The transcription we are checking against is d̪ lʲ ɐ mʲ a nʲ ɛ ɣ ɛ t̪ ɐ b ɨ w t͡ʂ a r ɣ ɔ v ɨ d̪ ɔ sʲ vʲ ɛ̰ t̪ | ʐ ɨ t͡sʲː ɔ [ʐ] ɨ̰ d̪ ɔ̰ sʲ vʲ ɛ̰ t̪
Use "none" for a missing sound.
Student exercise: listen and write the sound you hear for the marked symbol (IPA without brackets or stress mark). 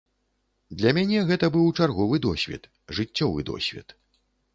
v